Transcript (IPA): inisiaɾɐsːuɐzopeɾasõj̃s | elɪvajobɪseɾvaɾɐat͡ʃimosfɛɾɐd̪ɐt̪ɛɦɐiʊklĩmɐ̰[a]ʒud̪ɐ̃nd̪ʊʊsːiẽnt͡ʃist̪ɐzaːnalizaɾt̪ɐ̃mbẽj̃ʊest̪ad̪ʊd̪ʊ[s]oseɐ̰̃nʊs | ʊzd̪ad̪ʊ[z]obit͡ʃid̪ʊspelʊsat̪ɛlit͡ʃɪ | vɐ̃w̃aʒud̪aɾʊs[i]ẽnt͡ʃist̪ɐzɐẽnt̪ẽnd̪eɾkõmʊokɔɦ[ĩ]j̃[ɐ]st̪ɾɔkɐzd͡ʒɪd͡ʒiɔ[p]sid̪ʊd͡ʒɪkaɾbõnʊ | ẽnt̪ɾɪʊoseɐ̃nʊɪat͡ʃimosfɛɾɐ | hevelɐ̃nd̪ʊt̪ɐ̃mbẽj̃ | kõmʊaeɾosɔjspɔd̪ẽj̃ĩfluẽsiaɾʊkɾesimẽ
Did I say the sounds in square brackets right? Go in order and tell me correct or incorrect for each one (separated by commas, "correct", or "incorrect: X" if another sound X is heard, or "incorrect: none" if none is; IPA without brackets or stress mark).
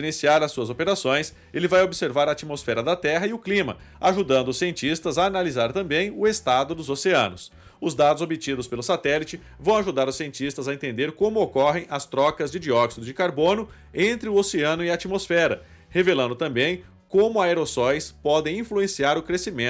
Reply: correct, incorrect: z, correct, correct, incorrect: ẽ, correct, incorrect: k